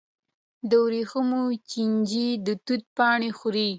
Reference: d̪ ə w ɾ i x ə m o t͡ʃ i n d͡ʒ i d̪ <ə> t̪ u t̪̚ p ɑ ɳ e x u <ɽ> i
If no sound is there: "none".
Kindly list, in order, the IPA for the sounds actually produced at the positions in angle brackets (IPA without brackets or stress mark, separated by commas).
ə, ɾ